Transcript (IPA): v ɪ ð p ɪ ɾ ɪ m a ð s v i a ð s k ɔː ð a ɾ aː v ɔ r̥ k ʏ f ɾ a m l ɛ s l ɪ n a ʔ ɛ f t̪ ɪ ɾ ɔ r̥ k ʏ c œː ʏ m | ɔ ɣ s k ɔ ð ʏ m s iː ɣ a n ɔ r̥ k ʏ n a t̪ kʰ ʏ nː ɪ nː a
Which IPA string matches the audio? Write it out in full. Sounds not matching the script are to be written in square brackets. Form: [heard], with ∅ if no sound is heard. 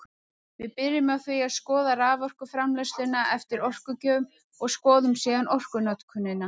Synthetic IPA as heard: v ɪ ð p ɪ ɾ ɪ m a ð [θ] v i a ð s k ɔː ð a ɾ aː v ɔ r̥ k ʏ f ɾ a m l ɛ s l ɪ n a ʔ ɛ f t̪ ɪ ɾ ɔ r̥ k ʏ c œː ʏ m | ɔ ɣ s k [ɔː] ð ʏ m s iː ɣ a n ɔ r̥ k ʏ n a t̪ kʰ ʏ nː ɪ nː a